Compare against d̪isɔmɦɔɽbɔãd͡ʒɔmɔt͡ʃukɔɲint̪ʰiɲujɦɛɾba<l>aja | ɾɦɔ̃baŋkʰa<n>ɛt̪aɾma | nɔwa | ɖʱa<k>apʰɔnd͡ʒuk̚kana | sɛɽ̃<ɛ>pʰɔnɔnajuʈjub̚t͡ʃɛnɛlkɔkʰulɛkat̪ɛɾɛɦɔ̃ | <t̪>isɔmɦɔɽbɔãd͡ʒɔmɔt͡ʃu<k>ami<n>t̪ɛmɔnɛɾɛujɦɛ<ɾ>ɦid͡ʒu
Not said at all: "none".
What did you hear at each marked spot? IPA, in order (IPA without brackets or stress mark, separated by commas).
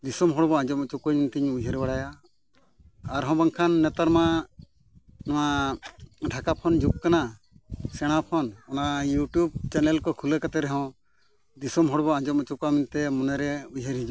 ɽ, nː, k, a, d̪, k, n, ɾ